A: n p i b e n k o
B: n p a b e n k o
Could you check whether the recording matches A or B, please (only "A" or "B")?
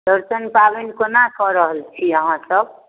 B